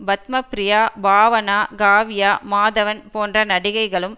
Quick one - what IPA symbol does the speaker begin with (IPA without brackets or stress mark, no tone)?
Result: b